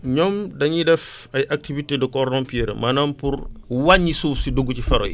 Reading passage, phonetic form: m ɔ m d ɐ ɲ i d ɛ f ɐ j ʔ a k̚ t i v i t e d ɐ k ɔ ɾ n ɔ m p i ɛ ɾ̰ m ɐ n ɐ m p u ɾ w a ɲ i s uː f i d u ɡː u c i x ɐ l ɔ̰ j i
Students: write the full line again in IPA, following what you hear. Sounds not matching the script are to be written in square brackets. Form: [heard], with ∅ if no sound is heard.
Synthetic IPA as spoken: [ɲ] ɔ m d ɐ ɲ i d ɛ f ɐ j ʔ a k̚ t i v i t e d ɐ k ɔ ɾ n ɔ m p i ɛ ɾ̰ m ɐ n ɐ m p u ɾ w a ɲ i s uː [s] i d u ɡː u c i [f] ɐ [ɾ] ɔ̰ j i